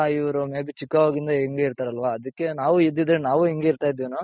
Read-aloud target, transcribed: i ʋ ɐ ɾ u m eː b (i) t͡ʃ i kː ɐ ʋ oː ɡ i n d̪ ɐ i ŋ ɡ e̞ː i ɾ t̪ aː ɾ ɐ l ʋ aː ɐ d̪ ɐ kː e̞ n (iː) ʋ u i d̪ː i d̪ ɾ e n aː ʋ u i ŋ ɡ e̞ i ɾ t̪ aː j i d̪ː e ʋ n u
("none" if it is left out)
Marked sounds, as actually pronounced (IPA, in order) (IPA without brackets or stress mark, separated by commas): i, aː